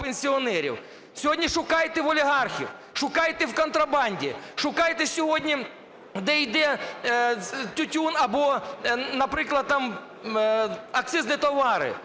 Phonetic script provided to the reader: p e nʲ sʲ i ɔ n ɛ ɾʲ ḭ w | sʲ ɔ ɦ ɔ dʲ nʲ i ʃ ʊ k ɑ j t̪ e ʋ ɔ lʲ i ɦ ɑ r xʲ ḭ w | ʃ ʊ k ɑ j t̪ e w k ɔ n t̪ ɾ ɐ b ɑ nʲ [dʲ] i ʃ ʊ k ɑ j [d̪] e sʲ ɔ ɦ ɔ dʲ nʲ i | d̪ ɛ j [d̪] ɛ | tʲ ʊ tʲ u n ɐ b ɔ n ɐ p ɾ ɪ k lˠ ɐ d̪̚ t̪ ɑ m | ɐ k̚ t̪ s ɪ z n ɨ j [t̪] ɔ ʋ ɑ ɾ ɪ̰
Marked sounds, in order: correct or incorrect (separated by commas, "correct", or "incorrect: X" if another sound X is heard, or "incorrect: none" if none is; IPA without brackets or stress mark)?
correct, incorrect: t̪, correct, correct